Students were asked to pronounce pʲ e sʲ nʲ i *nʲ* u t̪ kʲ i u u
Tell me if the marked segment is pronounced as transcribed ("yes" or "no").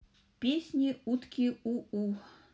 no